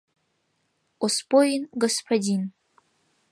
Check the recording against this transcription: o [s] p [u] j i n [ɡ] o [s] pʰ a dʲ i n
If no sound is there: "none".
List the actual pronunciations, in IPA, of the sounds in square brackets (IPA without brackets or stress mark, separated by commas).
s, o, ɡ, s